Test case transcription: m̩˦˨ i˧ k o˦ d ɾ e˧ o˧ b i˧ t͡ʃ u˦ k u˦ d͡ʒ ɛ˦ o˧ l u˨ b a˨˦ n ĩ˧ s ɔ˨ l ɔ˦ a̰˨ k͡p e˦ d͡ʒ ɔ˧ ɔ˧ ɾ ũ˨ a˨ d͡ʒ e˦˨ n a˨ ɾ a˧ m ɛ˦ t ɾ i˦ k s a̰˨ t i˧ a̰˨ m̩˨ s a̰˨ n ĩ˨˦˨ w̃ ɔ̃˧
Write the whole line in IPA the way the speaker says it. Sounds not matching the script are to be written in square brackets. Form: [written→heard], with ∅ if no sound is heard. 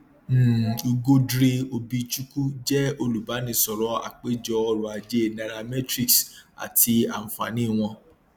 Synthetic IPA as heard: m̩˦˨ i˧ [k→ɡ] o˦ d ɾ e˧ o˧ b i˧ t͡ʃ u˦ k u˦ d͡ʒ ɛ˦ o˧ l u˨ b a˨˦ n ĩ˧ s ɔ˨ [l→ɾ] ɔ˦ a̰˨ k͡p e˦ d͡ʒ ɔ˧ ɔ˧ ɾ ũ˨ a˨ d͡ʒ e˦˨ n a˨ ɾ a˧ m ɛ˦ t ɾ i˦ k s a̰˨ t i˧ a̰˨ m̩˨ [s→f] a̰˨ n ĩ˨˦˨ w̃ ɔ̃˧

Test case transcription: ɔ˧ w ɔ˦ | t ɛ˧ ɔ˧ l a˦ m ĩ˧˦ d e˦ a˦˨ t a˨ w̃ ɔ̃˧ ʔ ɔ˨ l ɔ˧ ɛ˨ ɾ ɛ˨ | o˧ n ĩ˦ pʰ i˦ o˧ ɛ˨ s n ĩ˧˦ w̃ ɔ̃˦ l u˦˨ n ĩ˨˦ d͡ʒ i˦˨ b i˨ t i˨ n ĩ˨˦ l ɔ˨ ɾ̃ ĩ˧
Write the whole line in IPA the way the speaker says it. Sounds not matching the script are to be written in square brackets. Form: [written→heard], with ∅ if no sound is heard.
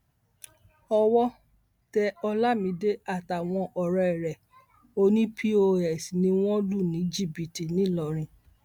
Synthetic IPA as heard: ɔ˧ w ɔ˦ | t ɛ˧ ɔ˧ l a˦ m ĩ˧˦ d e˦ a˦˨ t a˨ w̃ ɔ̃˧ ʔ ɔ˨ [l→ɾ] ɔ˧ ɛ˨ ɾ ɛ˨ | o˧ n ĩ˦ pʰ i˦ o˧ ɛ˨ s n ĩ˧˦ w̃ ɔ̃˦ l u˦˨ n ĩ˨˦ d͡ʒ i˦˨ b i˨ t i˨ n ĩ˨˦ l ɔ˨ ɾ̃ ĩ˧

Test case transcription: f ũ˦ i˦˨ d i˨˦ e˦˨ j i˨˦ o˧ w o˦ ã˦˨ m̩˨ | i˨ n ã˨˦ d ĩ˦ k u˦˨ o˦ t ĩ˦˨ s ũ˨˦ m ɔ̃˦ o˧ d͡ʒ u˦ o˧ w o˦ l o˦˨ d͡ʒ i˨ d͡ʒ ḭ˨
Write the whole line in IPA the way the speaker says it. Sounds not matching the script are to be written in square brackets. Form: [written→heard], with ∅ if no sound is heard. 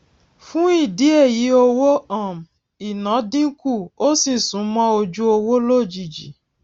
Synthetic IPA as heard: f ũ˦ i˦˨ d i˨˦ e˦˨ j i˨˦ o˧ w o˦ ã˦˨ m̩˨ | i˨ n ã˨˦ d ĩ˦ k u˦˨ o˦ [t→s] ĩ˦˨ s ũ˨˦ m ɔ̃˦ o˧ d͡ʒ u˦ o˧ w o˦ l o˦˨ d͡ʒ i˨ d͡ʒ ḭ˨

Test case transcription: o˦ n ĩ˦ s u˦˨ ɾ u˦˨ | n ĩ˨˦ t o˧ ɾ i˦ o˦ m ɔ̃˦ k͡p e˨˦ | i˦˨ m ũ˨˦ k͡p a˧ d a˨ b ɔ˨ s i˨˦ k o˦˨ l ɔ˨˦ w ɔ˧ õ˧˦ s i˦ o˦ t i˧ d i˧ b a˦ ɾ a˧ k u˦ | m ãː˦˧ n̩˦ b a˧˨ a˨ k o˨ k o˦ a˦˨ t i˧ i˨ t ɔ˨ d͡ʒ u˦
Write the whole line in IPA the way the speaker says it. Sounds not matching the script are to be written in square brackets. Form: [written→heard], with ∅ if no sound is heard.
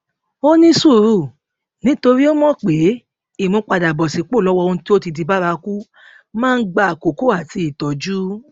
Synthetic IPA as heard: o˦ n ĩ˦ s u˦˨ ɾ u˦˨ | n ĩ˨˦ t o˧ ɾ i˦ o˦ m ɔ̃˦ k͡p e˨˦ | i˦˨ m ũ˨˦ k͡p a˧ d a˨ b ɔ˨ s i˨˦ [k→k͡p] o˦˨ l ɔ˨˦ w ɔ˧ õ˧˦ [s→t] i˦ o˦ t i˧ d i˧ b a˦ ɾ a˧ k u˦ | m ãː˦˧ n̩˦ [b→ɡ͡b] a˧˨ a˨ k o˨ k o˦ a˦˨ t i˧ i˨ t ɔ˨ d͡ʒ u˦

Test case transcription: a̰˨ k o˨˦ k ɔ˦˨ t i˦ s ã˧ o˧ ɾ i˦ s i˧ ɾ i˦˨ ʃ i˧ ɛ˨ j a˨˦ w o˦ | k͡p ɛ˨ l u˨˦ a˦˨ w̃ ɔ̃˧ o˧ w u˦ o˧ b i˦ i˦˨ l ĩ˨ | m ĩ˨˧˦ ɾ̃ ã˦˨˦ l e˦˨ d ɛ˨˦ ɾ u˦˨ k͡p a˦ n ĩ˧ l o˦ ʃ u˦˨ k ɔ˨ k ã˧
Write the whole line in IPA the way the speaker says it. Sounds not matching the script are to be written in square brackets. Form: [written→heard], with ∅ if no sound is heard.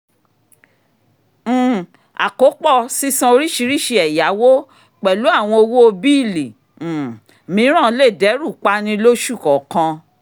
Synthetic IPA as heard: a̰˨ k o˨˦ [k→k͡p] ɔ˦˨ [t→s] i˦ s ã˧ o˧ ɾ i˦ [s→ʃ] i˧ ɾ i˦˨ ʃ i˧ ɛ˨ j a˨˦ w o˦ | k͡p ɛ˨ l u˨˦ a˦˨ w̃ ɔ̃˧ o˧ w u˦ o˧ b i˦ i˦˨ l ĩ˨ | m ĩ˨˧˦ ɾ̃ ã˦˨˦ l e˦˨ d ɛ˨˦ ɾ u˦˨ k͡p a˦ n ĩ˧ l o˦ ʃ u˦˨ k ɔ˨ k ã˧

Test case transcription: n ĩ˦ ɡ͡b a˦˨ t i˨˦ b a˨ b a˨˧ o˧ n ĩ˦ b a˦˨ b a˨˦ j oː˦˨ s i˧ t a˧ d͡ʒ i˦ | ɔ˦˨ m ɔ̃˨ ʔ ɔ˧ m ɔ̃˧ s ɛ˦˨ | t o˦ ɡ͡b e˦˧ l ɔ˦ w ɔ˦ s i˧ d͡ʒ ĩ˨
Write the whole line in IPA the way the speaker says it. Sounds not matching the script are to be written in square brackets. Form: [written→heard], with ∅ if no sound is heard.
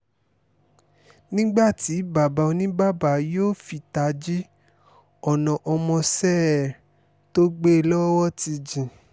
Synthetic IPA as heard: n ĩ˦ ɡ͡b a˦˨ t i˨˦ b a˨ b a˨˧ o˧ n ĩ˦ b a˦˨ b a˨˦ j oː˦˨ [s→f] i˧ t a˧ d͡ʒ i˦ | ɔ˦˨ [m→n] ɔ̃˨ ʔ ɔ˧ m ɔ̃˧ s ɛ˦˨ | t o˦ ɡ͡b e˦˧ l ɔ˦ w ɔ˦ [s→t] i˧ d͡ʒ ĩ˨

